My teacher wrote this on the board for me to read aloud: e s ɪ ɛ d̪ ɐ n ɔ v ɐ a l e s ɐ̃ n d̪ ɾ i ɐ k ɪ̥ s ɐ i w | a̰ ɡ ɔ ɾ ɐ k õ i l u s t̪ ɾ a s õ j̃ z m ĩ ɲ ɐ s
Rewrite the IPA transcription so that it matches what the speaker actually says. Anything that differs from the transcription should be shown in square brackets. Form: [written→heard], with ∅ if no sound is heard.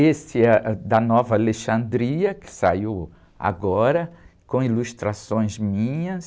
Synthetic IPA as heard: e s ɪ ɛ d̪ ɐ n ɔ v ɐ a l e [s→ʃ] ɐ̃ n d̪ ɾ i ɐ k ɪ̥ s [ɐ→a] i w | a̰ ɡ ɔ ɾ ɐ k õ i l u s t̪ ɾ a s õ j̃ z m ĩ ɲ ɐ s